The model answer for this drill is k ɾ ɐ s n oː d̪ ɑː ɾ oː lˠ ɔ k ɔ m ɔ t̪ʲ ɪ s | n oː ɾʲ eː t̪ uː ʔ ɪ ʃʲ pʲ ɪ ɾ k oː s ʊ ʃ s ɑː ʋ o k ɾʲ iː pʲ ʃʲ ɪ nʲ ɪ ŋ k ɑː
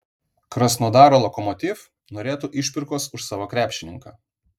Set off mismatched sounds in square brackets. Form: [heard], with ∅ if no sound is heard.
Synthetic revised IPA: k ɾ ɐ s n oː d̪ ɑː ɾ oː lˠ ɔ k ɔ m ɔ t̪ʲ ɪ [f] | n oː ɾʲ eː t̪ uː ʔ ɪ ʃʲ pʲ ɪ ɾ k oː s ʊ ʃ s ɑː ʋ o k ɾʲ [æː] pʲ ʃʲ ɪ nʲ ɪ ŋ k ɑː